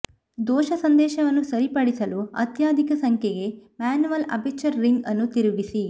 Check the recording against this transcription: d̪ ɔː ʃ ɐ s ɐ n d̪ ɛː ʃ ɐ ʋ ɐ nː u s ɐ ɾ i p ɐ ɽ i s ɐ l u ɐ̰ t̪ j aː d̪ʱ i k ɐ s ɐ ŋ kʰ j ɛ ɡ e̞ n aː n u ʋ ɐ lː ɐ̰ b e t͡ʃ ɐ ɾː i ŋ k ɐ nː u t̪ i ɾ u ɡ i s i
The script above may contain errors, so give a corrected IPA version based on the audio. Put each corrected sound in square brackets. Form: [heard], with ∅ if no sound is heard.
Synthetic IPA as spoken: d̪ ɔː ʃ ɐ s ɐ n d̪ ɛː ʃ ɐ ʋ ɐ nː u s ɐ ɾ i p ɐ ɽ i s ɐ l u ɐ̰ t̪ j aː d̪ʱ i k ɐ s ɐ ŋ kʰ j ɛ ɡ e̞ [m] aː n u ʋ ɐ [l] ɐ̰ b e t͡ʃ ɐ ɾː i ŋ [ɡ] ɐ nː u t̪ i ɾ u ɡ i s i